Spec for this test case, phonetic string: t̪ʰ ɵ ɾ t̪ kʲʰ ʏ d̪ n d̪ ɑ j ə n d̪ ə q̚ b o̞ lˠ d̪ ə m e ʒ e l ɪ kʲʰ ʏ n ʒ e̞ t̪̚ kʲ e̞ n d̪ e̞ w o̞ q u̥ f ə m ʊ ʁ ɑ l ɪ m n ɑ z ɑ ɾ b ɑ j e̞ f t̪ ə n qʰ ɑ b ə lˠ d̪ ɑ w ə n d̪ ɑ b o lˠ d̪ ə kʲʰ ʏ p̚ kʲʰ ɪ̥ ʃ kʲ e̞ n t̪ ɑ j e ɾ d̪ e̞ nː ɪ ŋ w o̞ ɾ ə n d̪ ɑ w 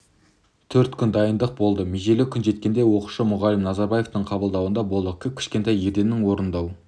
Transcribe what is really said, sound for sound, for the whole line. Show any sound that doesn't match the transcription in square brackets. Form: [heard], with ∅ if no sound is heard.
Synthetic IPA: t̪ʰ ɵ ɾ t̪ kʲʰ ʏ [∅] n d̪ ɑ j ə n d̪ ə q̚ b o̞ lˠ d̪ ə m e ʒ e l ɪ kʲʰ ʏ n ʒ e̞ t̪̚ kʲ e̞ n d̪ e̞ w o̞ q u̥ [ʃ] ə m ʊ ʁ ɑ l ɪ m n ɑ z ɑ ɾ b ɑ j e̞ f t̪ ə [ɴ] qʰ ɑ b ə lˠ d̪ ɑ w ə n d̪ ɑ b o lˠ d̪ ə kʲʰ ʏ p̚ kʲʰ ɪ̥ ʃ kʲ e̞ n t̪ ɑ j e ɾ d̪ e̞ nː ɪ ŋ w o̞ ɾ ə n d̪ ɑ w